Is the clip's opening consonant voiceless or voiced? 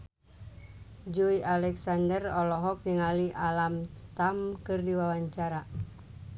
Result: voiced